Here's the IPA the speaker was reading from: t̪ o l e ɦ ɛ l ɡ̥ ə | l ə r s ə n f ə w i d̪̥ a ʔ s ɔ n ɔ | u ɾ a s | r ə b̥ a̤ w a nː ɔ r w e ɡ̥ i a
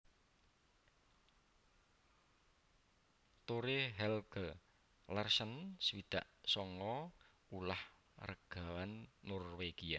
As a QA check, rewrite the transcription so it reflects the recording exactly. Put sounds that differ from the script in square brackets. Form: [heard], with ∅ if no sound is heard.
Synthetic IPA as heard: t̪ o [ɾ] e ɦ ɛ l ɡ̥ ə | l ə r s ə n [s] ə w i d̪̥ a ʔ s ɔ [ŋ] ɔ | u [l] a [h] | r ə [ɡ̥] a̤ w a nː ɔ r w e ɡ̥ i a